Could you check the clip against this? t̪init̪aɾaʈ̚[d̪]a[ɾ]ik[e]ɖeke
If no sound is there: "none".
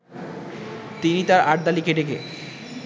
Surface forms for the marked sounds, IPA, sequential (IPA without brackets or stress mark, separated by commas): d̪, l, e